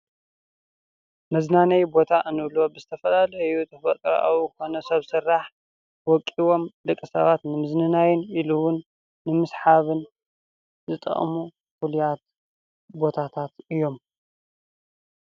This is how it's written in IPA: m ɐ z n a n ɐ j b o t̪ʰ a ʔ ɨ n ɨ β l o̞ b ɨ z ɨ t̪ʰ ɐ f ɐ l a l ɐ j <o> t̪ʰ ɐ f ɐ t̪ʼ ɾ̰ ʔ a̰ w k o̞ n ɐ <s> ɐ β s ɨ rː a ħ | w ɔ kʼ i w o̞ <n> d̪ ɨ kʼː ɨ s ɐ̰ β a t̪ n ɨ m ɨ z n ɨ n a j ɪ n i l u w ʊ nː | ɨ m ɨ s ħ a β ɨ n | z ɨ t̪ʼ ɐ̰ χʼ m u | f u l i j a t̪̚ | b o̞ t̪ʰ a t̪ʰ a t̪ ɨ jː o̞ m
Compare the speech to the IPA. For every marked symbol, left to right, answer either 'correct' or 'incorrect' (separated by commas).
incorrect, correct, incorrect